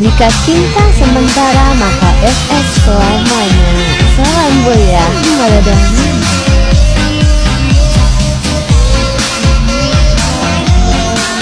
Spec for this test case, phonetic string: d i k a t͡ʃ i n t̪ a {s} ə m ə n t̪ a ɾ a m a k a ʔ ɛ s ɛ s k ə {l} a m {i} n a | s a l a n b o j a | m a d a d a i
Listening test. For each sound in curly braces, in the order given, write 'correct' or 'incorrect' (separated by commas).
correct, correct, incorrect